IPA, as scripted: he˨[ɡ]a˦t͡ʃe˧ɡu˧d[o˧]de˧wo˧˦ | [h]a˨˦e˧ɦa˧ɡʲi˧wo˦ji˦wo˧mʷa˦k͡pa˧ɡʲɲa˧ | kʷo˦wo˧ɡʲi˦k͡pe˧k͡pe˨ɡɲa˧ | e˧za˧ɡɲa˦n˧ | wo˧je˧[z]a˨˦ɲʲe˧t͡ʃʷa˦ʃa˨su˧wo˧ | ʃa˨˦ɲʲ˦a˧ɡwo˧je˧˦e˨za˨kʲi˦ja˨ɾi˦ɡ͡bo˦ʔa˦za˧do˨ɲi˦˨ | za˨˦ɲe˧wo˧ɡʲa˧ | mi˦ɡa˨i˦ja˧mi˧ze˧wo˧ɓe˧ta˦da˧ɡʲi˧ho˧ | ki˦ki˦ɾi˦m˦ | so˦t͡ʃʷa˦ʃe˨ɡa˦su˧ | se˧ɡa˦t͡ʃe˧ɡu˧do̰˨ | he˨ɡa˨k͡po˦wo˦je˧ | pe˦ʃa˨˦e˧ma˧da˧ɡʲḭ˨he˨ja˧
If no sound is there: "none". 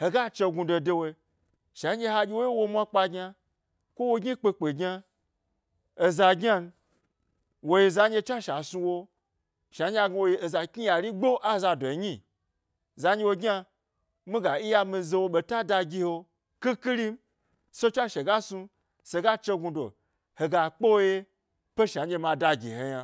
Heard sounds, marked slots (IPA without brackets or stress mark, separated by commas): ɡ, o˧, ʃ, z